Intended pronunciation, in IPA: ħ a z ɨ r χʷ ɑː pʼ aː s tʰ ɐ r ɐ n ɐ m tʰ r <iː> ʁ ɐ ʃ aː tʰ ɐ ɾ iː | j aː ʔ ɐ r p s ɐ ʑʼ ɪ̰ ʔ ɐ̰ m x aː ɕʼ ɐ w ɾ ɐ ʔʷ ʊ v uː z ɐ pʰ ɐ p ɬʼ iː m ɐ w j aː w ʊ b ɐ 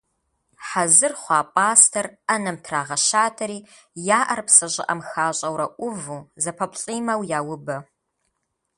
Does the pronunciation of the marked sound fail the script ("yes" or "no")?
yes